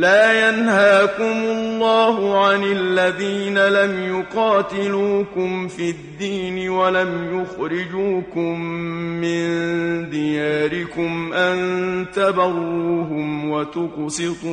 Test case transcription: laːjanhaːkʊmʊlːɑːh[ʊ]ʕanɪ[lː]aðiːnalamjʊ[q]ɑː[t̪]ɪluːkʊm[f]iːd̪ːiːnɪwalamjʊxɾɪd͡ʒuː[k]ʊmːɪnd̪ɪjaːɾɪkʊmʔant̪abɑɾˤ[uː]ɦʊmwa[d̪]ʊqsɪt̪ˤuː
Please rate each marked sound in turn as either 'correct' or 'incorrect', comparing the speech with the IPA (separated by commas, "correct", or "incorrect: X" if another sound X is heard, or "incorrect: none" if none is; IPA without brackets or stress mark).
correct, correct, correct, correct, correct, correct, correct, incorrect: t̪